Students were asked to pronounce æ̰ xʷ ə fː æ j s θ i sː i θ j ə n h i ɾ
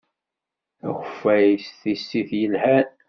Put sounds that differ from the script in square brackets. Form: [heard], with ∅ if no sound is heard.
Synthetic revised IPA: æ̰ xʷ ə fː æ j s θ i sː i θ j ə n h [æ] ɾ